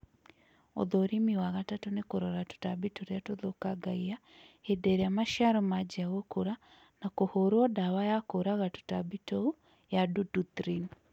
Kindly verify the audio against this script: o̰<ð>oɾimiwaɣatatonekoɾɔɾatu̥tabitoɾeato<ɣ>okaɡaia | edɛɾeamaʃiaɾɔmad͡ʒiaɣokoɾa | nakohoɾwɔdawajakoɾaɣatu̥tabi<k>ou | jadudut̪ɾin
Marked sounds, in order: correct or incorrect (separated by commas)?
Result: correct, incorrect, incorrect